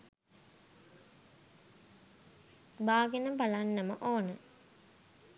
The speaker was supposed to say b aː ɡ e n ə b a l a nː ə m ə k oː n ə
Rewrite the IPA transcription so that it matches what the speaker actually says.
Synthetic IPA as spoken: b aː ɡ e n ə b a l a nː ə m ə ʔ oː n ə